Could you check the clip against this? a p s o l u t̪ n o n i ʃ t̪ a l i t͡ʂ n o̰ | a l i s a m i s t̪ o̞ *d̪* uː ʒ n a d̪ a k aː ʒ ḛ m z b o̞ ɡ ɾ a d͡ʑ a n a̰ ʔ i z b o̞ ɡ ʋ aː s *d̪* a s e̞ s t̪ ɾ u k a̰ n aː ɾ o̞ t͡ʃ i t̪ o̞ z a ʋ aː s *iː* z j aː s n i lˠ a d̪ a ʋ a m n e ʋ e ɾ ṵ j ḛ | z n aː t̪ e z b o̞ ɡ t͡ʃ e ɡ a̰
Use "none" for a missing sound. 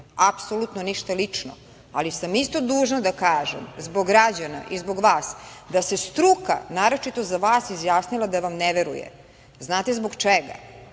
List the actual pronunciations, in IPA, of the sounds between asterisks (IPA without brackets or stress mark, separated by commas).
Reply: d̪, d̪, i